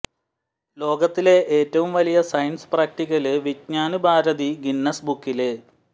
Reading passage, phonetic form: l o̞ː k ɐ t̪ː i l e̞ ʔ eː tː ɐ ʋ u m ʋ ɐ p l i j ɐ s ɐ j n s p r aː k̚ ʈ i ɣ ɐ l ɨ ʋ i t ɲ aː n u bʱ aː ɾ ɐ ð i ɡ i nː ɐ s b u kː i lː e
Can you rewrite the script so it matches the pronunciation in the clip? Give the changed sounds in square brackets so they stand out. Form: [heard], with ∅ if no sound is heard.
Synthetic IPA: l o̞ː [ɡ] ɐ t̪ː i l e̞ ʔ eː tː ɐ ʋ u m ʋ ɐ [∅] l i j ɐ s ɐ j n s p r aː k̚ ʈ i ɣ ɐ l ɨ ʋ i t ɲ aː n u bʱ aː ɾ ɐ ð i ɡ i nː ɐ s b u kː i [l] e